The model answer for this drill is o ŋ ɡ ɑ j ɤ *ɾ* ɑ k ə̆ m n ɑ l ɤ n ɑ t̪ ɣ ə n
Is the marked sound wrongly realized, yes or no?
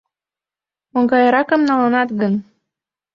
no